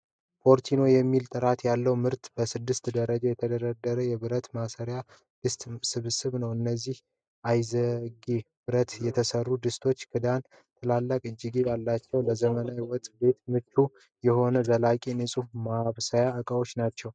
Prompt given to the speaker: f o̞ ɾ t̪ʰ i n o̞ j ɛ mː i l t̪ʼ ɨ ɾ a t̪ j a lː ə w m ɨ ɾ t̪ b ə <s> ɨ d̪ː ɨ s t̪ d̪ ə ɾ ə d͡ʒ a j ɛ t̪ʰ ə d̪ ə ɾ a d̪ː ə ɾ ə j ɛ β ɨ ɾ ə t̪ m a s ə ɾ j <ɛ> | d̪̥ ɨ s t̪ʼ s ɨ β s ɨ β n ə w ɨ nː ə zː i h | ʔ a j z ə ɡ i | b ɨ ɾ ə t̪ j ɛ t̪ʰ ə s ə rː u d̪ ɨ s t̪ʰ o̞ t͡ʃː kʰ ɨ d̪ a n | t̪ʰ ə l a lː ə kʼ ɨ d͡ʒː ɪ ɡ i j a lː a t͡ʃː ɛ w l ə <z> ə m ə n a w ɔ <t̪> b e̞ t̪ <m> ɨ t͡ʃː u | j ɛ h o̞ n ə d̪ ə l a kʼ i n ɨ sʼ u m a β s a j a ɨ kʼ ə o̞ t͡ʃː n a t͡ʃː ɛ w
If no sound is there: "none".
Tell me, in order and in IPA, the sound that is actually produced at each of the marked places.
s, a, z, t̪ʼ, m

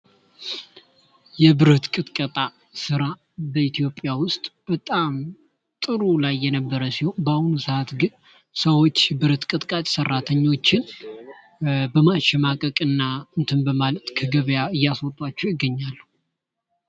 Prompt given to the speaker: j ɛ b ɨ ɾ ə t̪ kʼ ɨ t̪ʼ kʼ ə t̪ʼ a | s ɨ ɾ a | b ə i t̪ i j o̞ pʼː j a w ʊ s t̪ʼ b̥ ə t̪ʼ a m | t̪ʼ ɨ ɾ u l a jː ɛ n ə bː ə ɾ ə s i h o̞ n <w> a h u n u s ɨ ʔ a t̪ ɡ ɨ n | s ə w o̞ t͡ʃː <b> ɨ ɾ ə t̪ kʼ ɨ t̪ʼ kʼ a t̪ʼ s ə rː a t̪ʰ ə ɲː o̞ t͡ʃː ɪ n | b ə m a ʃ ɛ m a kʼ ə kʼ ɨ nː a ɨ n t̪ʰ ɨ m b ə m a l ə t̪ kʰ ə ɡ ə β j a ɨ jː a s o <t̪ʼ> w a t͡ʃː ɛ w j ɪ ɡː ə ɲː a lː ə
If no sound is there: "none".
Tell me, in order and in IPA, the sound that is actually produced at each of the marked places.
b, b, t̪ʼ

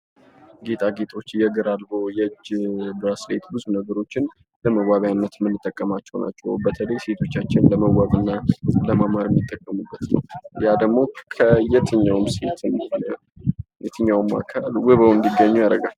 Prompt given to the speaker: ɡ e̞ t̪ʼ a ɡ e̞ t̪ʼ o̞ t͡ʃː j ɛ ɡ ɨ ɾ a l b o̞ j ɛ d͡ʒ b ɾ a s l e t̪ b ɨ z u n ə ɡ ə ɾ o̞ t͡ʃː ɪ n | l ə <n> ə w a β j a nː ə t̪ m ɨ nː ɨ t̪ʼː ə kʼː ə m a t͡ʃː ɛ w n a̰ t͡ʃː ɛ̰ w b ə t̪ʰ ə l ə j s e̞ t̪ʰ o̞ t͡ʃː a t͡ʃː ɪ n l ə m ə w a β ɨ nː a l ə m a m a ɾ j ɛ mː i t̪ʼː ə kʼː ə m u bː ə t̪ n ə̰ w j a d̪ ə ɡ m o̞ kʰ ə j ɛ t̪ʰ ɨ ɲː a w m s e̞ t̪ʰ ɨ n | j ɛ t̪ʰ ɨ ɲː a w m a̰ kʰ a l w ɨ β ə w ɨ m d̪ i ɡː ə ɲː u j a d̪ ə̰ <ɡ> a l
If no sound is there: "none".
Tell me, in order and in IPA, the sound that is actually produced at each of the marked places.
m, ɡ

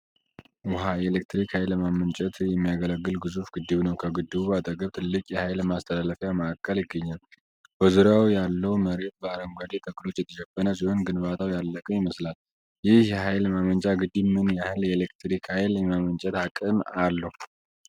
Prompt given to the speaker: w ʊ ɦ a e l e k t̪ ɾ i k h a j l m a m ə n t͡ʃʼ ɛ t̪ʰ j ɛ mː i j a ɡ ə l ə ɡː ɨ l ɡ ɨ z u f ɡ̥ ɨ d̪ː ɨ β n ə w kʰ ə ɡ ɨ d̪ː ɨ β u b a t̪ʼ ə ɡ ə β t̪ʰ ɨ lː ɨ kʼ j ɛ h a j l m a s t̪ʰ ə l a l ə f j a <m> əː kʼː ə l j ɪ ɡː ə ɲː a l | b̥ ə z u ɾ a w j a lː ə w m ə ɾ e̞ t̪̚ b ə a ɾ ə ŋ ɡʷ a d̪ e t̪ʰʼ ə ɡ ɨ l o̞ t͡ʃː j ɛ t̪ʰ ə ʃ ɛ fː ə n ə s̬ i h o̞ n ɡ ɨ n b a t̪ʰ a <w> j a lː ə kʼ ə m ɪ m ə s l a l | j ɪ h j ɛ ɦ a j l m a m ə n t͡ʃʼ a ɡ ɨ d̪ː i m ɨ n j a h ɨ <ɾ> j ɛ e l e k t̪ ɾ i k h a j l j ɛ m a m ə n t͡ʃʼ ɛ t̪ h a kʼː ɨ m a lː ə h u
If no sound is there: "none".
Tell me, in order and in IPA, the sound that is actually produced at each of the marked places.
m, w, l

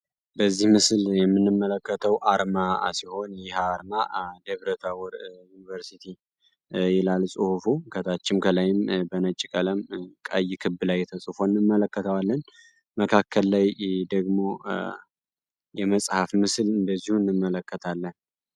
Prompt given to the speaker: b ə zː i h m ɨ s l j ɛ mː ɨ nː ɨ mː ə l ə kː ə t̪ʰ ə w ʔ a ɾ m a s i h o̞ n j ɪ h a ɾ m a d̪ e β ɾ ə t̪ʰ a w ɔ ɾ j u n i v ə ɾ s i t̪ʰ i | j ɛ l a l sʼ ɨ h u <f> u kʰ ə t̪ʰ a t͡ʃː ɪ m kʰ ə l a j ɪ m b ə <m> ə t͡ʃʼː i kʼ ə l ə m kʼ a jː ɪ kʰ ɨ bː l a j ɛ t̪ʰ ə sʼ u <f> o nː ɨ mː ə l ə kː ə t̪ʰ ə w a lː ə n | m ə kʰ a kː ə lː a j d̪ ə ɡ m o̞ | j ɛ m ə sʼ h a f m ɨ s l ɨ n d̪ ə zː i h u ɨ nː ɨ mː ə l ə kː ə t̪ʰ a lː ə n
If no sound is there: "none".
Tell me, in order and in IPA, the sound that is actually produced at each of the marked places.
f, n, f

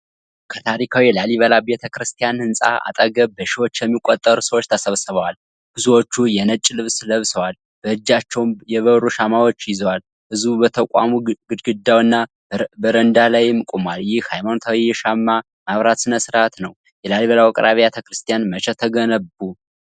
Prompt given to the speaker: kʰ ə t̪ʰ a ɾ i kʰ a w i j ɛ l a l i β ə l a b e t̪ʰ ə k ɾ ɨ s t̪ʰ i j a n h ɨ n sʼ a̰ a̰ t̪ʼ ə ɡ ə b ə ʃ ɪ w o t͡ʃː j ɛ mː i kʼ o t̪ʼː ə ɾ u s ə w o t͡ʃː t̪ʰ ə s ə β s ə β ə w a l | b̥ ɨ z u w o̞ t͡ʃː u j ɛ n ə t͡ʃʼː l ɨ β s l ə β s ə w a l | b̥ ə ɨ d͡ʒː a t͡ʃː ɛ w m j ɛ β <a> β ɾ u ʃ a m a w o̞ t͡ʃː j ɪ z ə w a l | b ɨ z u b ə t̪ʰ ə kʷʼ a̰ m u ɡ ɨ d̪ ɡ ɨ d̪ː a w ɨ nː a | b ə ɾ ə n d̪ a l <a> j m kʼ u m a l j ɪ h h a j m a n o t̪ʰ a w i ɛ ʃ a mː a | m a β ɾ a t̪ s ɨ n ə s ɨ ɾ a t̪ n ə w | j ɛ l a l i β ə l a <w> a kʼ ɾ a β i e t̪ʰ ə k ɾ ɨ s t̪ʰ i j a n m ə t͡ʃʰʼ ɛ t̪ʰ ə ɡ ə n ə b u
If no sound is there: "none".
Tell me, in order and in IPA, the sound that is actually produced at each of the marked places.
ə, a, w

